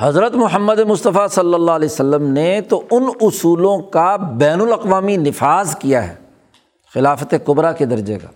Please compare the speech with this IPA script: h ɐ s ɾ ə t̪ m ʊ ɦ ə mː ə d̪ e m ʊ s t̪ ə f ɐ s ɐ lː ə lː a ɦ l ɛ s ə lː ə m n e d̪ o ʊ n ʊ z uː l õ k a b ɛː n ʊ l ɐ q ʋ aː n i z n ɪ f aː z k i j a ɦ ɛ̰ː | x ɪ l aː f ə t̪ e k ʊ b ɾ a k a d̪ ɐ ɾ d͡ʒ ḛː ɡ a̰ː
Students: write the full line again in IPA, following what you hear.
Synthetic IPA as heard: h ɐ z ɾ ə t̪ m ʊ ɦ ə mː ə d̪ e m ʊ s t̪ ə f a s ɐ lː ə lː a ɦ l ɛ s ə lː ə m n e t̪ o ʊ n ʊ s uː l õ k a b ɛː n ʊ l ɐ q ʋ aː m i n ɪ f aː z k i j a ɦ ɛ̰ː | x ɪ l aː f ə t̪ e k ʊ b ɾ a k e d̪ ɐ ɾ d͡ʒ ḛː ɡ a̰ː